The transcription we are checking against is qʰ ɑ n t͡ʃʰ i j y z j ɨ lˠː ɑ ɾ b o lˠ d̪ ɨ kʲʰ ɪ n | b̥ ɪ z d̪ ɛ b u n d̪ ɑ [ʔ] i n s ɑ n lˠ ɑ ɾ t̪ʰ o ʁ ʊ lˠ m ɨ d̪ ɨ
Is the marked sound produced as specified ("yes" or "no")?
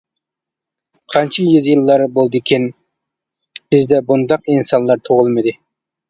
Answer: no